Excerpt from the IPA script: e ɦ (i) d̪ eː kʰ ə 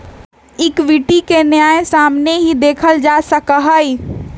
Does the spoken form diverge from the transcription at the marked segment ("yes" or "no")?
no